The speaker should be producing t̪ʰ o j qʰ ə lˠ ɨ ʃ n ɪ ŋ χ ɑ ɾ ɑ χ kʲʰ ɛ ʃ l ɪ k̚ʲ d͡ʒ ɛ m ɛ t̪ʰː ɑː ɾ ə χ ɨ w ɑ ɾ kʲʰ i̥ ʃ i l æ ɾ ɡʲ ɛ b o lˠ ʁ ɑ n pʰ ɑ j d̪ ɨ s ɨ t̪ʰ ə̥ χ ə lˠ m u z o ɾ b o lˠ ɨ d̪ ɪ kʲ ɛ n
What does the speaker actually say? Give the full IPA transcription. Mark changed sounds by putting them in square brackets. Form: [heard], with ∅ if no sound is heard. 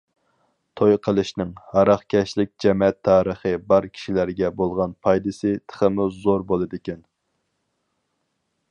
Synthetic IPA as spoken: t̪ʰ o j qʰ ə lˠ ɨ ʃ n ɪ ŋ [h] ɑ ɾ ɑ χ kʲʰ ɛ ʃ l ɪ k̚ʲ d͡ʒ ɛ m ɛ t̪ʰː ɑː ɾ ə χ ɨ [b] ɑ ɾ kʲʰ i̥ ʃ i l æ ɾ ɡʲ ɛ b o lˠ ʁ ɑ n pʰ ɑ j d̪ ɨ s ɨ t̪ʰ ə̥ χ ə [∅] m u z o ɾ b o lˠ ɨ d̪ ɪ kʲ ɛ n